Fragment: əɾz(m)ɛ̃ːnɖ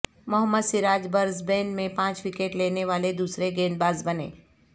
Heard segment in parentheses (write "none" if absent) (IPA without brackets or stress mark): b